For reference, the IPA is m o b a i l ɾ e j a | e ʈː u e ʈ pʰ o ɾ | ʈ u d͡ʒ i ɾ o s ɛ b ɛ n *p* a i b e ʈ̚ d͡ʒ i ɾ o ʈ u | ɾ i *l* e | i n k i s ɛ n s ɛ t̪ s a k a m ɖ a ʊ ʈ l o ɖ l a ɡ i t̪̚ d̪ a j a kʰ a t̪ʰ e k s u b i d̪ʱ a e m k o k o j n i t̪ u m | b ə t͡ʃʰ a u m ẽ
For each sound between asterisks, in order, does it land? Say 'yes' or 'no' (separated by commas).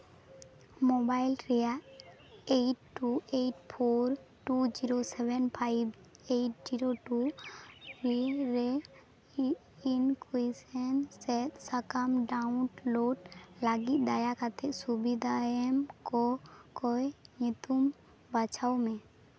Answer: no, no